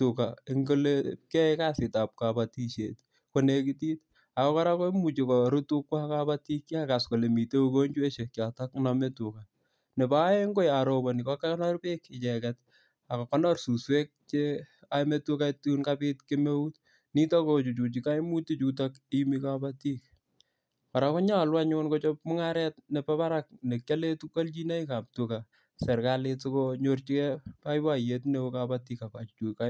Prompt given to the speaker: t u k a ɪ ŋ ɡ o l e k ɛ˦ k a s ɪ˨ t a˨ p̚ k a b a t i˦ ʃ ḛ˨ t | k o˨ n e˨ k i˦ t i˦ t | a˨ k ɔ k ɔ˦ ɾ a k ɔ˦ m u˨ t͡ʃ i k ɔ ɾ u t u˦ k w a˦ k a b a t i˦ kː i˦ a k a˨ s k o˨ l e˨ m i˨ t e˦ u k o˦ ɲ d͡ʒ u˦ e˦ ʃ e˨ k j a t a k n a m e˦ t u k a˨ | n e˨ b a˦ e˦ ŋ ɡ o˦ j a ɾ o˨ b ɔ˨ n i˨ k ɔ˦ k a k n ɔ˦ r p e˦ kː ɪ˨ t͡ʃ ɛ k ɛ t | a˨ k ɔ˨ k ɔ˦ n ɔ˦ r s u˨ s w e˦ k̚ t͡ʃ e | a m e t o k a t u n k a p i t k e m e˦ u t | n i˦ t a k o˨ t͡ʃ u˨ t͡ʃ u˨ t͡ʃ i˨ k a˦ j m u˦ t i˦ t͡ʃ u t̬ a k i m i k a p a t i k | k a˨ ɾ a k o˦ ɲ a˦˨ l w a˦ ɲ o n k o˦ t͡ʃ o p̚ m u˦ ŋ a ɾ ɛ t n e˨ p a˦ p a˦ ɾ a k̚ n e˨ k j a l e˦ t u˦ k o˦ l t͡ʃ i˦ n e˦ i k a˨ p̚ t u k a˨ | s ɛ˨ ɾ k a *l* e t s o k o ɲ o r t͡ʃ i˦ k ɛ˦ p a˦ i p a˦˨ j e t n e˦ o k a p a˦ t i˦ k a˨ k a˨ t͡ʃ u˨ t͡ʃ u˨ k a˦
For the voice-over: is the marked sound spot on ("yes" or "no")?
yes